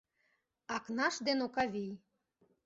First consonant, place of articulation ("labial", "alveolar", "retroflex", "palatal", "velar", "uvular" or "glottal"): velar